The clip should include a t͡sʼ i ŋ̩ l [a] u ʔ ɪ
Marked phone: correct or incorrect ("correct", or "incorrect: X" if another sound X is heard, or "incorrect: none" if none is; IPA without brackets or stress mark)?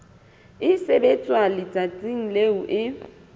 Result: incorrect: e